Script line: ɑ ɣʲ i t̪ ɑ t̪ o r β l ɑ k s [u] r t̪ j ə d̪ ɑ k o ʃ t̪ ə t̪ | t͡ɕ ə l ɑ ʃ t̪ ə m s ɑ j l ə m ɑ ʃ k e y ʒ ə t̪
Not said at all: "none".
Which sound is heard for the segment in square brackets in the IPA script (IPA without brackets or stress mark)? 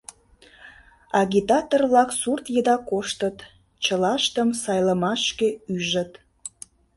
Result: u